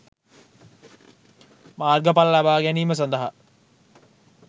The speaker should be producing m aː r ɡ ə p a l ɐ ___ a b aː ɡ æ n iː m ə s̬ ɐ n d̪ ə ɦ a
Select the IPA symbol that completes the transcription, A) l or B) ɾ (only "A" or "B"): A